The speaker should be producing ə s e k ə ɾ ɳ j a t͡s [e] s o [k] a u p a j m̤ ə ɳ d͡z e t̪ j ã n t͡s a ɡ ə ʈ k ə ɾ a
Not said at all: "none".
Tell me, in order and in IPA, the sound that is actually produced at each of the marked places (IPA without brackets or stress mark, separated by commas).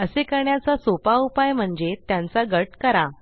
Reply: a, p